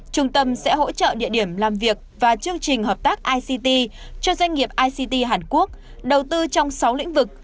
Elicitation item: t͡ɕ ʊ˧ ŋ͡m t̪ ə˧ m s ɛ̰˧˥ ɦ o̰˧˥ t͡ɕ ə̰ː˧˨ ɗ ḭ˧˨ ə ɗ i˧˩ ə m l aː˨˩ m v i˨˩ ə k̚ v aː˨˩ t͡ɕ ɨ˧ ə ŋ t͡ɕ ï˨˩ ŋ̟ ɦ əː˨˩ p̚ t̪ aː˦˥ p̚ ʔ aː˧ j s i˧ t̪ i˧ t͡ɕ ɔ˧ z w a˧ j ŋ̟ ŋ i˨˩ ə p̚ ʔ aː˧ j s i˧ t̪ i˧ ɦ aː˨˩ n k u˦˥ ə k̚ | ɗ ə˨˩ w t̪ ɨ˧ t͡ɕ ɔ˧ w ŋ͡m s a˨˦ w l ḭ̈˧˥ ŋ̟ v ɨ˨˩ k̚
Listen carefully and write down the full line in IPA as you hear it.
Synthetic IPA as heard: t͡ɕ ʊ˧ ŋ͡m t̪ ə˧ m s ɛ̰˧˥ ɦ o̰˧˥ t͡ɕ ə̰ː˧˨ ɗ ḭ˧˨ ə ɗ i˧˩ ə m l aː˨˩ m v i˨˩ ə k̚ v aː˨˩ t͡ɕ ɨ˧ ə ŋ t͡ɕ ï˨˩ ŋ̟ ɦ əː˨˩ p̚ t̪ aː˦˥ k̚ ʔ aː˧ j s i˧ t̪ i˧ t͡ɕ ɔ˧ z w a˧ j ŋ̟ ŋ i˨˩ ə p̚ ʔ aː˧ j s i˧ t̪ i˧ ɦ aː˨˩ n k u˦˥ ə k̚ | ɗ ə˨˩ w t̪ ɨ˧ t͡ɕ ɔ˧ w ŋ͡m s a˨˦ w l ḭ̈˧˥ ŋ̟ v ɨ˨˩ k̚